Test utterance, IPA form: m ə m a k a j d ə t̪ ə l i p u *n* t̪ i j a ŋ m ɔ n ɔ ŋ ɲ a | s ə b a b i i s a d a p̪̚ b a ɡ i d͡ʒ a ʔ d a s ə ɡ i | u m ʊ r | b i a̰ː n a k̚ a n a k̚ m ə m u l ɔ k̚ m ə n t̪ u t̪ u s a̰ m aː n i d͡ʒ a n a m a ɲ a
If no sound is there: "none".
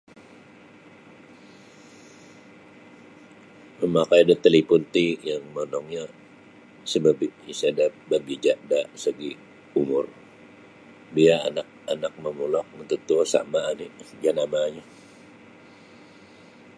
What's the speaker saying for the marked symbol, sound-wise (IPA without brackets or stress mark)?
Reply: n